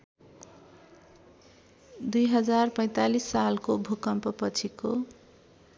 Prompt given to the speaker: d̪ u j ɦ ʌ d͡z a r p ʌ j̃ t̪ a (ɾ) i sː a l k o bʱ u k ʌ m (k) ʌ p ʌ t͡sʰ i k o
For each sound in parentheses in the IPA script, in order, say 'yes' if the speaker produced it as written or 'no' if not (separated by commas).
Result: no, no